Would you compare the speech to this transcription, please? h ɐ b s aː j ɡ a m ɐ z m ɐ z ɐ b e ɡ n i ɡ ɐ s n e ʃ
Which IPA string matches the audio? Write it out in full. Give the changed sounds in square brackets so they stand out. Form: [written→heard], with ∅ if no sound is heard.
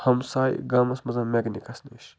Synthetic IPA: h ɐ [b→m] s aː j ɡ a m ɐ [z→s] m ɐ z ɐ [b→m] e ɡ n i [ɡ→k] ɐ s n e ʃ